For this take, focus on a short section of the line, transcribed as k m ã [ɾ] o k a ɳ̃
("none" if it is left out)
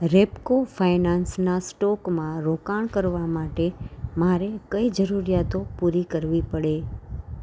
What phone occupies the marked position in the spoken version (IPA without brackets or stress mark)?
ɾ